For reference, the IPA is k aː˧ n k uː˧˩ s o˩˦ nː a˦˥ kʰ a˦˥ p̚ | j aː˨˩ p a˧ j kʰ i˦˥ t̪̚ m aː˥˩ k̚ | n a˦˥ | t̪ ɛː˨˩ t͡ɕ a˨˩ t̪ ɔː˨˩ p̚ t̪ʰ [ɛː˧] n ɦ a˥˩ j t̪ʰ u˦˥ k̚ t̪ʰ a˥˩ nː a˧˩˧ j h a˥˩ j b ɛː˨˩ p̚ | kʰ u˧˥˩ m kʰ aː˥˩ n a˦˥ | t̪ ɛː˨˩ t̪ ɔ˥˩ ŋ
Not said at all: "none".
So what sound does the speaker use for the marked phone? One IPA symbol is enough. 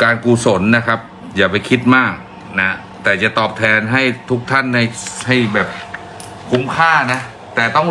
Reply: ɛː˧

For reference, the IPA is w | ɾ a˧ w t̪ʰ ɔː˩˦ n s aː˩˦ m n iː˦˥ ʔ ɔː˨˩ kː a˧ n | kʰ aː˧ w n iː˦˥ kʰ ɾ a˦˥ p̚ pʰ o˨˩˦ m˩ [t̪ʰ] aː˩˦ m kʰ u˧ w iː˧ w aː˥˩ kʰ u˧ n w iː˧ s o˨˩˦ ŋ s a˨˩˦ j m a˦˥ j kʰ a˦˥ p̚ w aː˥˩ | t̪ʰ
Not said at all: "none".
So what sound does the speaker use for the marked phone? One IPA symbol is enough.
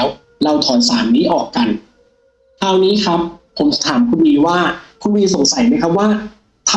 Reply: t̪ʰ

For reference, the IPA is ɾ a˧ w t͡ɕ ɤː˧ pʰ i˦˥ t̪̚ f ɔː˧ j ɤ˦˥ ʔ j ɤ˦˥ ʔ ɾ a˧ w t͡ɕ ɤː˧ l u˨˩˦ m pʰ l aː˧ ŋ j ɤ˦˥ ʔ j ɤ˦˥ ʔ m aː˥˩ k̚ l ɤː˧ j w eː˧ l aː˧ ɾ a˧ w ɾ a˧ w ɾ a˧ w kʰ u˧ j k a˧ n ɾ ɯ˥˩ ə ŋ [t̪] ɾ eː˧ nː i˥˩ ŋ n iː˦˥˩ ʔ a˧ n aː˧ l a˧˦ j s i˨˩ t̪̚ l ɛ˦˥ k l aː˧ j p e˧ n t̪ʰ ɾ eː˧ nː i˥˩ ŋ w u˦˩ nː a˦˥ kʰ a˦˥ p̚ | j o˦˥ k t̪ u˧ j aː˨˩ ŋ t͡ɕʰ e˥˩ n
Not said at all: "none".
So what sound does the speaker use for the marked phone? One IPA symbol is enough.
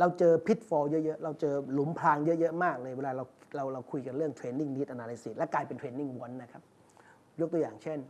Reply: t̪ʰ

